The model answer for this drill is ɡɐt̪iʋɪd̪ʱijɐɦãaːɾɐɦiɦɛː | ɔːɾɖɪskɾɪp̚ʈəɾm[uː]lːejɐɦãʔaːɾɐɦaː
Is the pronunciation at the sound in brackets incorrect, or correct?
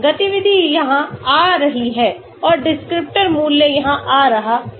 correct